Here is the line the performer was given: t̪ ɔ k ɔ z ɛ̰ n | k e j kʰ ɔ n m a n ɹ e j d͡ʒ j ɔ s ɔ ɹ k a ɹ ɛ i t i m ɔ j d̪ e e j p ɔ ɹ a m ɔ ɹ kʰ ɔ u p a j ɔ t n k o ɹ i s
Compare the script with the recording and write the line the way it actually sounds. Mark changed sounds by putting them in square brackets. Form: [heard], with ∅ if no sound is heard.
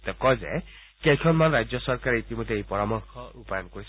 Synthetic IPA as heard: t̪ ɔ k ɔ z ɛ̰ [∅] | k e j kʰ ɔ n m a n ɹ [a] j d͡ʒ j ɔ s ɔ ɹ k a ɹ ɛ i t i m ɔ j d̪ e e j p ɔ ɹ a m ɔ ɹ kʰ ɔ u p a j ɔ [∅] n k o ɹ i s